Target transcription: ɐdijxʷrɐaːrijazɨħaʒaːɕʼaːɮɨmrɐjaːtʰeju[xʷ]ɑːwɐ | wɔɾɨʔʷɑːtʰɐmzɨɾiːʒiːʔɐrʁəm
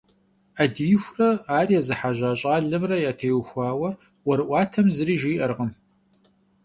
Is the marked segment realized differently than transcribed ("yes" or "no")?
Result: no